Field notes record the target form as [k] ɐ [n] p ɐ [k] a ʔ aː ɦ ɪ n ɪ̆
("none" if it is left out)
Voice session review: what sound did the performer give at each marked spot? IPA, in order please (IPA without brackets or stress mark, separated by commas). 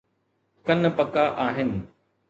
k, n, k